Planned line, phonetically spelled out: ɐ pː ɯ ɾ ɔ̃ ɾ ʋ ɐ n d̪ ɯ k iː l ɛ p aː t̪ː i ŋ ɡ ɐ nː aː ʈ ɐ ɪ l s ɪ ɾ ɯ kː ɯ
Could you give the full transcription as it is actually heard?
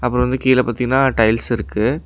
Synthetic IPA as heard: ɐ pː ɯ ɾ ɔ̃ ʋ ɐ n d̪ ɯ k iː l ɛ p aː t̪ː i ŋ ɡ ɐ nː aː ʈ ɐ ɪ l s ɪ ɾ ɯ kː ɯ